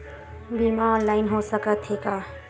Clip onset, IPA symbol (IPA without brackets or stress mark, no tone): b